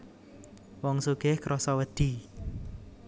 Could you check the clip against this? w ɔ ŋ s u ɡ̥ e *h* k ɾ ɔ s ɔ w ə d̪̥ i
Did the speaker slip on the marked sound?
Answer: no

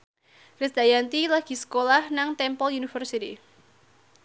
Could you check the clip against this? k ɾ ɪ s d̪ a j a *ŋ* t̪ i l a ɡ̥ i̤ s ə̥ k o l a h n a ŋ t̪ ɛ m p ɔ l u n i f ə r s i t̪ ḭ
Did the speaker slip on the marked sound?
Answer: yes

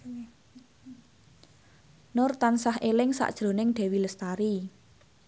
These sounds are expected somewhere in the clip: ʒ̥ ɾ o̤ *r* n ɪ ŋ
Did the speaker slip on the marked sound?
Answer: yes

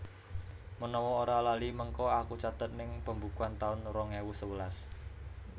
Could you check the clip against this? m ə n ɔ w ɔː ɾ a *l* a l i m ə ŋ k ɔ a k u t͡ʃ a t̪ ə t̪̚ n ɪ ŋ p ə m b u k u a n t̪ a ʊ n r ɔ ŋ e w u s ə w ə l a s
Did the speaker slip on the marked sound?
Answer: no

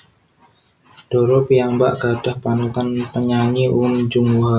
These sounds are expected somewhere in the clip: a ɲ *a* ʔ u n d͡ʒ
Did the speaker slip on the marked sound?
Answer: yes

